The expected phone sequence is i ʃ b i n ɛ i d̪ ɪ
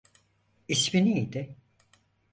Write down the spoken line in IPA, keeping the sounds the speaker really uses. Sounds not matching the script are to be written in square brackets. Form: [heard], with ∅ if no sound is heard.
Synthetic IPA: i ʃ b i n [i] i d̪ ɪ